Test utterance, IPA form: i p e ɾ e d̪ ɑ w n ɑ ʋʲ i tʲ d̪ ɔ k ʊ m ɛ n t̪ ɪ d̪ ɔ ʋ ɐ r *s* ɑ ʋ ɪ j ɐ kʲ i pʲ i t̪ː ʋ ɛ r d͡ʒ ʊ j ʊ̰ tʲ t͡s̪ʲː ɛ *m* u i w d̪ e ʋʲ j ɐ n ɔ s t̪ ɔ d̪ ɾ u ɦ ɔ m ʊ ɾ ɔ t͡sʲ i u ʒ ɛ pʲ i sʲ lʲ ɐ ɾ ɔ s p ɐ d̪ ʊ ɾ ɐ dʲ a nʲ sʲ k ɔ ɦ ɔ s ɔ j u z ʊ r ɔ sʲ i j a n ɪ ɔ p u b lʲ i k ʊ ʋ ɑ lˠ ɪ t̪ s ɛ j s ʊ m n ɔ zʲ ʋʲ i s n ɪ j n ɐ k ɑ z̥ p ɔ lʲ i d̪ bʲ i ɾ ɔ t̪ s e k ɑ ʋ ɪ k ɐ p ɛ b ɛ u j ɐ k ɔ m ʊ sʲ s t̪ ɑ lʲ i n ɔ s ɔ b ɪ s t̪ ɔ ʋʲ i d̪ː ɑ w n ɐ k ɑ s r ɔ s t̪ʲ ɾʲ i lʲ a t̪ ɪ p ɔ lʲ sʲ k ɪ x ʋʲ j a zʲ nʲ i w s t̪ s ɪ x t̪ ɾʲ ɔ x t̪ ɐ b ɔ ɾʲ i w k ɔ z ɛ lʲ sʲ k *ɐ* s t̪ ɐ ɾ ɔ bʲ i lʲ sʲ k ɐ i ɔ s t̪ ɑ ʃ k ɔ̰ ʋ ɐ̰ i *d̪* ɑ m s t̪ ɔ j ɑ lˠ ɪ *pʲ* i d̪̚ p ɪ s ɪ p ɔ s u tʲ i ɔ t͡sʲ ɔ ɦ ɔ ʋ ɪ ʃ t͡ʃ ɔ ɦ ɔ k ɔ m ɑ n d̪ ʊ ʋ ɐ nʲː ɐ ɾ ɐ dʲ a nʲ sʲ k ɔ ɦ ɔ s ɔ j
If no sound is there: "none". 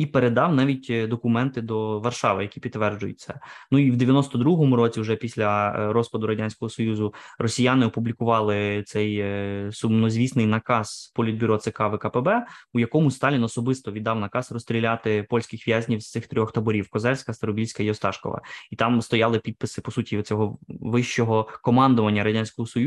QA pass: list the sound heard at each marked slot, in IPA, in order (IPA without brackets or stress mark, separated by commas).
ʃ, n, ɐ, t̪, pʲ